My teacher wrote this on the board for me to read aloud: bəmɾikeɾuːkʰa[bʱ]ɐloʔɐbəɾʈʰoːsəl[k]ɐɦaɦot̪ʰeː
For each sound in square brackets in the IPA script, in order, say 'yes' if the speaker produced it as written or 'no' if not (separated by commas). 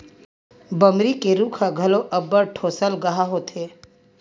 no, no